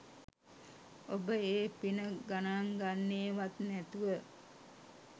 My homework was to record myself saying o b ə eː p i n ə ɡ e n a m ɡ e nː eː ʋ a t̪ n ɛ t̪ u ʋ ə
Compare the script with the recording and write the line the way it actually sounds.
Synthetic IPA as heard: o b ə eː p i n ə ɡ a n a ŋ ɡ a nː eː ʋ a t̪ n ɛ t̪ u ʋ ə